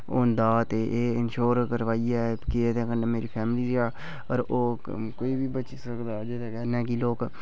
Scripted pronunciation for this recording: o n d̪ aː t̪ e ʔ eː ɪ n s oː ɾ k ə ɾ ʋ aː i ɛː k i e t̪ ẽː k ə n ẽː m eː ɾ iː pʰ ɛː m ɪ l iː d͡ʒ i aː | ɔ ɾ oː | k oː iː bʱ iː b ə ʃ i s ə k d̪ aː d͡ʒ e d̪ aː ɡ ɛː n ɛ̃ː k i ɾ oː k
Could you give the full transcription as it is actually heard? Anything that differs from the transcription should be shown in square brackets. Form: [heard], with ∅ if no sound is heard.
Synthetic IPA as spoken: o n d̪ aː t̪ e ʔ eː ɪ n [ʃ] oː ɾ k ə ɾ ʋ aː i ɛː k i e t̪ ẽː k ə n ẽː m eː ɾ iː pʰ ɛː m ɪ l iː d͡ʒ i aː | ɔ ɾ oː | k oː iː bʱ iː b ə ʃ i s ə k d̪ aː d͡ʒ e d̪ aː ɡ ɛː n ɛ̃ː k i [l] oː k